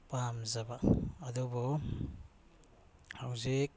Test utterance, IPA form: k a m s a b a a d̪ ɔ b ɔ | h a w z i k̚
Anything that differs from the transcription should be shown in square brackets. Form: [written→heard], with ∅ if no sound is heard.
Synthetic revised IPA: [k→p] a m [s→z] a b a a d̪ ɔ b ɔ | h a w z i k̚